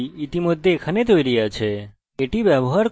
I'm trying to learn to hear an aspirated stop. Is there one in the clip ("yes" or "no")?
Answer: yes